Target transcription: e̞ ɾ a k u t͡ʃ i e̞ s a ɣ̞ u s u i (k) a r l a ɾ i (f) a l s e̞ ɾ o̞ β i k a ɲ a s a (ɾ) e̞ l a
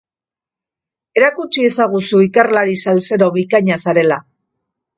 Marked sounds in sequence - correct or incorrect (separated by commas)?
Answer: correct, incorrect, correct